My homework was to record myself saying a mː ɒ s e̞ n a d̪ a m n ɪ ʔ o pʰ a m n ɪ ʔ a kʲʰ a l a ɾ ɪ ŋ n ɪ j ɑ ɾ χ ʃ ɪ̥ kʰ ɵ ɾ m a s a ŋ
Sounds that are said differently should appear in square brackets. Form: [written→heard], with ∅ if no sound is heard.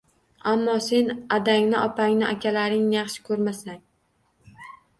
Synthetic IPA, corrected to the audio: a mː ɒ s e̞ n a d̪ a [m→ŋ] n ɪ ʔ [o→ɒ] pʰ a [m→ŋ] n ɪ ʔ a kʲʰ a l a ɾ ɪ ŋ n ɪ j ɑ [ɾ→∅] χ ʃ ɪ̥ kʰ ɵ ɾ m a s a ŋ